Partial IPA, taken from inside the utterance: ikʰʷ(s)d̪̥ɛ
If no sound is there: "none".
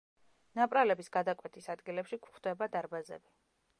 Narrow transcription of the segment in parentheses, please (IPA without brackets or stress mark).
χ